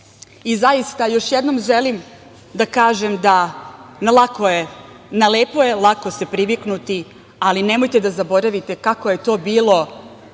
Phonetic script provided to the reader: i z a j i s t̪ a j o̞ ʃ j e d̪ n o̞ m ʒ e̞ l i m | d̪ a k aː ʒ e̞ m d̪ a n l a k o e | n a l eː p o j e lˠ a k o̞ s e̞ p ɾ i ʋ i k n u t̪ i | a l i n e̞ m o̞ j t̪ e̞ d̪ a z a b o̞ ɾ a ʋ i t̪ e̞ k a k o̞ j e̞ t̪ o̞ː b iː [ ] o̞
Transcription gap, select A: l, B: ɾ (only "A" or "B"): A